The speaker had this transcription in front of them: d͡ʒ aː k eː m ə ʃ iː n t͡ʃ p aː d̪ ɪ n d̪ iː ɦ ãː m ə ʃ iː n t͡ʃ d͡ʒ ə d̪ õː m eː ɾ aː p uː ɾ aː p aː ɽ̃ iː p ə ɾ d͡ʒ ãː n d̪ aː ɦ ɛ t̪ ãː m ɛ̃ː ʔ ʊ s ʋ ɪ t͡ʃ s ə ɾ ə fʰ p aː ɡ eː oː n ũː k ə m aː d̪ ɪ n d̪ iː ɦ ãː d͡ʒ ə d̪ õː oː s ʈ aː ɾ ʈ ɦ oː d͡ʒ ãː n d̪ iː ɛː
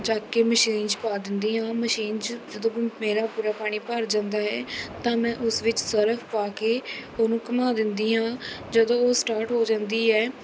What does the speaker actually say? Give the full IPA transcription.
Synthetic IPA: d͡ʒ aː k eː m ə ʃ iː n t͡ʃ p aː d̪ ɪ n d̪ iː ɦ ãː m ə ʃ iː n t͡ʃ d͡ʒ ə d̪ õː m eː ɾ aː p uː ɾ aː p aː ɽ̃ iː p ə ɾ d͡ʒ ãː n d̪ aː ɦ ɛː t̪ ãː m ɛ̃ː ʔ ʊ s ʋ ɪ t͡ʃ s ə ɾ ə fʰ p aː k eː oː n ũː k ə m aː d̪ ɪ n d̪ iː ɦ ãː d͡ʒ ə d̪ õː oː s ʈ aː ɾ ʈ ɦ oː d͡ʒ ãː n d̪ iː ɛː